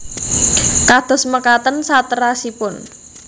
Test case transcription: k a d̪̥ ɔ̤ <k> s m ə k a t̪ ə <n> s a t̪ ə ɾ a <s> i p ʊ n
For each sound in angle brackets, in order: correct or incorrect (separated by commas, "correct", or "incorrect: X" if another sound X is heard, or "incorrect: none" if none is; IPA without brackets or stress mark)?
incorrect: none, correct, correct